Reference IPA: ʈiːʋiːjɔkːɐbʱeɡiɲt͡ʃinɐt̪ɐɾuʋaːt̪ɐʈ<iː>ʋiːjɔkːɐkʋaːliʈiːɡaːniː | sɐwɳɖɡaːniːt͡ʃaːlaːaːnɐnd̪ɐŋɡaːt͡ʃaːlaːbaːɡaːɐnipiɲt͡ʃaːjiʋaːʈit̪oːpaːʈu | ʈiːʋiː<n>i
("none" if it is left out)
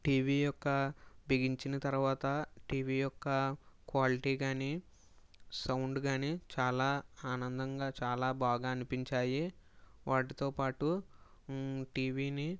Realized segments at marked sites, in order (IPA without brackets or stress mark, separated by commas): iː, n